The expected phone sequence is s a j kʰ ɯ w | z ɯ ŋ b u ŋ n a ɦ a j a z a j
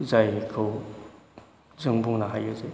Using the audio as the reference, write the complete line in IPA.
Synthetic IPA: z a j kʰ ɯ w | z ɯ ŋ b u ŋ n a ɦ a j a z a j